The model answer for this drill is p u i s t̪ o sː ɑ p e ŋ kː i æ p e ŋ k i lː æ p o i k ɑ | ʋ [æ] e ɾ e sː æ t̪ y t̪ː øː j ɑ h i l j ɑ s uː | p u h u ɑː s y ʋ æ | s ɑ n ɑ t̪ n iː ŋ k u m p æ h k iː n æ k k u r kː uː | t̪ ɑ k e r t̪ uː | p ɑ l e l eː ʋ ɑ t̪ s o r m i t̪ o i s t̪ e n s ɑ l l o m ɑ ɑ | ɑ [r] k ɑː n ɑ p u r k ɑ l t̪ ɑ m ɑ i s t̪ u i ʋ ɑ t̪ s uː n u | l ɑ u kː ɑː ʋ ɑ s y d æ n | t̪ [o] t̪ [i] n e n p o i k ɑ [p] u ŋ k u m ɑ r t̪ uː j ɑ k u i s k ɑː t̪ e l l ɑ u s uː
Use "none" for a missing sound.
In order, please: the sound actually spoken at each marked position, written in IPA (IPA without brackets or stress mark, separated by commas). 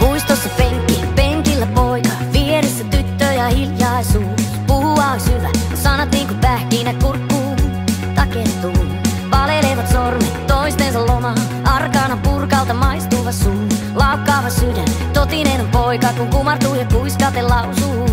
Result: i, r, o, i, k